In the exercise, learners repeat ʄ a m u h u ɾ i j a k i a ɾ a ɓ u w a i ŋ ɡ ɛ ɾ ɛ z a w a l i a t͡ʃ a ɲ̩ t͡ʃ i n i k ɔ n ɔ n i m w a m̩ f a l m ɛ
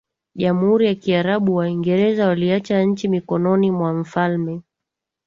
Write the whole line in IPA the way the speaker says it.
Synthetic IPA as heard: ʄ a m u h u ɾ i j a k i a ɾ a ɓ u w a i ŋ ɡ ɛ ɾ ɛ z a w a l i a t͡ʃ a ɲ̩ t͡ʃ i m i k ɔ n ɔ n i m w a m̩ f a l m ɛ